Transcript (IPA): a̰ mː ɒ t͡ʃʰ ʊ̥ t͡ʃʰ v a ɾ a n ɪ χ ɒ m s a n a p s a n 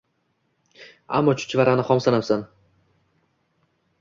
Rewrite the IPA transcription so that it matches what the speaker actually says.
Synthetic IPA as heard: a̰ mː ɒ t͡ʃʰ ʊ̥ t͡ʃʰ v a ɾ a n ɪ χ ɒ m s a n a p s a n